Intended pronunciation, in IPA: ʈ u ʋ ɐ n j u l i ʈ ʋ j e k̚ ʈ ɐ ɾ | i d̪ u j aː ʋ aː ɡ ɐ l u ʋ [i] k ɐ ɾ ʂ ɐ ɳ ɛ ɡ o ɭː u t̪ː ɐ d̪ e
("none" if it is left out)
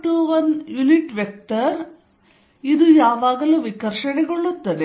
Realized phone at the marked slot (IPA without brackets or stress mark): i